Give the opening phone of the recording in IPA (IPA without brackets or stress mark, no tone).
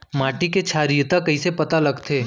m